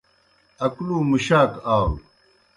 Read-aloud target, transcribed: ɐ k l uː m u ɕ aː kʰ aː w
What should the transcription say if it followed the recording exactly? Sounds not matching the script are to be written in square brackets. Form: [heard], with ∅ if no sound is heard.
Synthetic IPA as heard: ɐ k l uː m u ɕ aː [k] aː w